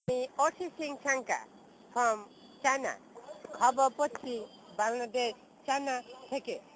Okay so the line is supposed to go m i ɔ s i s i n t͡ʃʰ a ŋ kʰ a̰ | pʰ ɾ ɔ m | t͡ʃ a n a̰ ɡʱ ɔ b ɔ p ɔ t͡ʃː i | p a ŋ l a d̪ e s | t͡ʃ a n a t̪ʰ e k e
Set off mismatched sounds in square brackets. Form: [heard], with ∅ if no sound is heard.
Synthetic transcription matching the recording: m i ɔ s i s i [ŋ] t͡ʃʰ a ŋ [k] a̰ | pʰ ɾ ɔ m | t͡ʃ a n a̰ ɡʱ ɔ b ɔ p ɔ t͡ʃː i | [b] a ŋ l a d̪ e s | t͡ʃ a n a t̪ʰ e k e

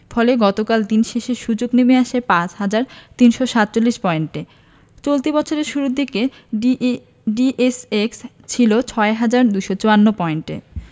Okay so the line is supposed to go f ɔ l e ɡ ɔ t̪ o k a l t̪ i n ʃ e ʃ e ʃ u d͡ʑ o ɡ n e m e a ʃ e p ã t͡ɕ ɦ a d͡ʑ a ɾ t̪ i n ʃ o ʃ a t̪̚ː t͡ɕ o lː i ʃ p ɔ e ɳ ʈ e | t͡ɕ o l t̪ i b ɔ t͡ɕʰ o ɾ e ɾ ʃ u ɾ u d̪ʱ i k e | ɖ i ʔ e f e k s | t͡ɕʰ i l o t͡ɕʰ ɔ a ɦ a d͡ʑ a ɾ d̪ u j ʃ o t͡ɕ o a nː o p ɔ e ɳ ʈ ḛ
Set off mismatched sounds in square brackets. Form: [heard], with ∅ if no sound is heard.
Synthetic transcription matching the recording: f ɔ l e ɡ ɔ t̪ o k a l [d̪] i n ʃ e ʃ e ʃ u d͡ʑ o ɡ n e m e a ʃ e p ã t͡ɕ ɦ a d͡ʑ a ɾ t̪ i n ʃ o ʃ a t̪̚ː t͡ɕ o lː i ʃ p ɔ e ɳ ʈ e | t͡ɕ o l t̪ i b ɔ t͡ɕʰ o ɾ e ɾ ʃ u ɾ u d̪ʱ i k e | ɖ i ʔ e [s] e k s | t͡ɕʰ i l o t͡ɕʰ ɔ [e] ɦ a d͡ʑ a ɾ d̪ u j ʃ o t͡ɕ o a nː o p ɔ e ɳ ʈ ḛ

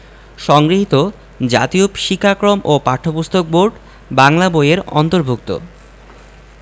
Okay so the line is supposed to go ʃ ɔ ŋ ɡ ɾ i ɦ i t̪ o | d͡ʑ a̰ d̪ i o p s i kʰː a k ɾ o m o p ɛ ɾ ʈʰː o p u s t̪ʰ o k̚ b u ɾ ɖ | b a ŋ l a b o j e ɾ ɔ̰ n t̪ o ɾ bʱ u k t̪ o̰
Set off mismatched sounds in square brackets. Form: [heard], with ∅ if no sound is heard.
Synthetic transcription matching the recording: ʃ ɔ ŋ ɡ ɾ i ɦ i t̪ o | d͡ʑ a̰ [t̪] i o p [ʃ] i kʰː a k ɾ o m o p [a] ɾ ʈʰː o p u s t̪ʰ o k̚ b [o] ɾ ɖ | b a ŋ l a b o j e ɾ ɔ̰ n t̪ o ɾ bʱ u k t̪ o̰

